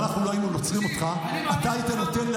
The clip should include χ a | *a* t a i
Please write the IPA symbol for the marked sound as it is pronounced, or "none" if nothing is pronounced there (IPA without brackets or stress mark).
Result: a